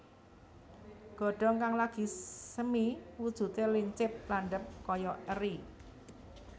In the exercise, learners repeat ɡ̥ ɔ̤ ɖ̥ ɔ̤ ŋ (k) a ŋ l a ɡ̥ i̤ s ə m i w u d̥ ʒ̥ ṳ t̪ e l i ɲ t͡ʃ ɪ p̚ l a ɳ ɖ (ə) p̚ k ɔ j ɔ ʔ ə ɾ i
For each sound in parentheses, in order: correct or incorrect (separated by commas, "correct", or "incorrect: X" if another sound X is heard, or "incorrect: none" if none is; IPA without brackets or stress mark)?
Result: correct, correct